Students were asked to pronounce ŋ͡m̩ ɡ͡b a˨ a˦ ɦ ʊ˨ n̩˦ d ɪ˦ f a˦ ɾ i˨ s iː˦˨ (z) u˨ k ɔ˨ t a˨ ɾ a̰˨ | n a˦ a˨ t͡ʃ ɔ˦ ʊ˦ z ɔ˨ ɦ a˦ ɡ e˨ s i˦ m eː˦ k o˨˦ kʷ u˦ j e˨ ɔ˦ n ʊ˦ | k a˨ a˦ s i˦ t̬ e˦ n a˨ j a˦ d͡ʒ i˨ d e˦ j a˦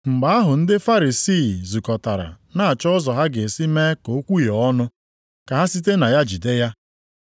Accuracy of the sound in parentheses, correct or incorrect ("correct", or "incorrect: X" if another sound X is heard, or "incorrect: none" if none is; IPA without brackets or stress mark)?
correct